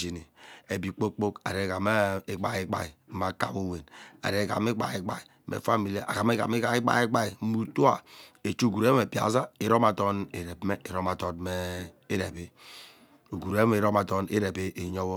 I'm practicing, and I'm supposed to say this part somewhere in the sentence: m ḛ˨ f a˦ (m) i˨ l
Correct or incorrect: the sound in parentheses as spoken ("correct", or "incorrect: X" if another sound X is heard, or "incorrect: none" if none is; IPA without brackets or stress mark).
correct